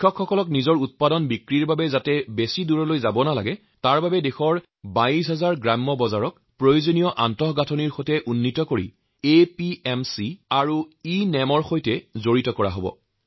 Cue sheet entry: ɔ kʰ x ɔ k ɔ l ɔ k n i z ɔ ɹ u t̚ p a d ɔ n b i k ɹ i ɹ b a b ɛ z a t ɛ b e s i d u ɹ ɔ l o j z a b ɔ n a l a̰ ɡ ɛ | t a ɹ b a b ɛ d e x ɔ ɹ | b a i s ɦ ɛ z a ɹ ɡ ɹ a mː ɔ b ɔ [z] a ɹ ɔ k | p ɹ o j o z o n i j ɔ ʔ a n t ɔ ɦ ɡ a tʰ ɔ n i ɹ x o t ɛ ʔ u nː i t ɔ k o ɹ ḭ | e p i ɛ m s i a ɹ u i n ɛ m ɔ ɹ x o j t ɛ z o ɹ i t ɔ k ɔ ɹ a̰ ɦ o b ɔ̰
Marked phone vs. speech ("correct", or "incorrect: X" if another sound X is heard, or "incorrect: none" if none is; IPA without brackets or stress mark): correct